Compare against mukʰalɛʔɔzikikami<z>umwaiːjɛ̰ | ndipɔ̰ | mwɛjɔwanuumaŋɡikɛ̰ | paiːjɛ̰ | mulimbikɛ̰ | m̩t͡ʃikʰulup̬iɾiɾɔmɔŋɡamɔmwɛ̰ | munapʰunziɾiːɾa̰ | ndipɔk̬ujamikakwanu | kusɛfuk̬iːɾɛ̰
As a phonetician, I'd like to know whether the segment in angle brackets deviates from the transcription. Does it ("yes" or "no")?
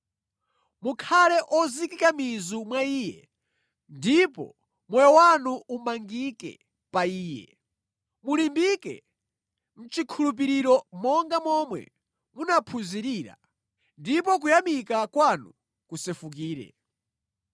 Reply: no